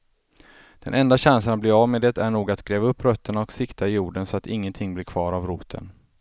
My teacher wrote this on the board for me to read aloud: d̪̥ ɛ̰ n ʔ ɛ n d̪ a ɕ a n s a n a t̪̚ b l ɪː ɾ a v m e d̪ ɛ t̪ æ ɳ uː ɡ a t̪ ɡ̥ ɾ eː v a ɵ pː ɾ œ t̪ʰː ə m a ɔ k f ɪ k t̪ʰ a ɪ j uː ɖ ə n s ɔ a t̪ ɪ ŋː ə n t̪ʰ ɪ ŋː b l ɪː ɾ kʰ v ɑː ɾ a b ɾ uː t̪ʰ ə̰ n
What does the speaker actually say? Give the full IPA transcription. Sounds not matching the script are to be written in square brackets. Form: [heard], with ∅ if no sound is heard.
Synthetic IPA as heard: d̪̥ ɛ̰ n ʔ ɛ n d̪ a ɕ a n s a n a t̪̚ b l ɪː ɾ a v m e d̪ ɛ t̪ æ ɳ uː ɡ a t̪ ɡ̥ ɾ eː v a ɵ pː ɾ œ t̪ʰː ə [ɳ] a ɔ k [s] ɪ k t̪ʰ a ɪ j uː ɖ ə n s ɔ a t̪ ɪ ŋː ə n t̪ʰ ɪ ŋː b l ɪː ɾ kʰ v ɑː ɾ a [v] ɾ uː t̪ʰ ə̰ n